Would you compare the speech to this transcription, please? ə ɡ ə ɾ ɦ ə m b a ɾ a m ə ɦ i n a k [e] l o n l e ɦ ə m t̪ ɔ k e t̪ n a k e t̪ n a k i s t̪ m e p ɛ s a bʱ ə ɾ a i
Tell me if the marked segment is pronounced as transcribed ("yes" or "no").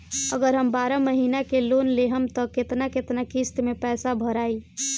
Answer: yes